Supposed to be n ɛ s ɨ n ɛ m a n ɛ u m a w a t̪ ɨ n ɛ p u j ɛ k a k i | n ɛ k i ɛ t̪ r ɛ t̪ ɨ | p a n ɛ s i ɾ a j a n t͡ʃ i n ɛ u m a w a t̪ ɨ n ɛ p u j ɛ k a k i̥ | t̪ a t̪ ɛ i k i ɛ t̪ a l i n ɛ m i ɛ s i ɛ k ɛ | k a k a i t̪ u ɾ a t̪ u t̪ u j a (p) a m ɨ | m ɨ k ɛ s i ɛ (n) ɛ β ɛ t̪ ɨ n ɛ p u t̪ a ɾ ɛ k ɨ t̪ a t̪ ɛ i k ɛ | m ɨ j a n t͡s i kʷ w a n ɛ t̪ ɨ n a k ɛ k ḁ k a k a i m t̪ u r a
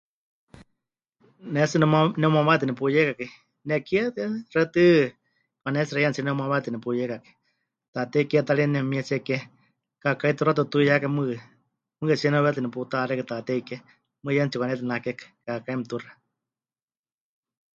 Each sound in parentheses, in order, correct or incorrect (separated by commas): incorrect, correct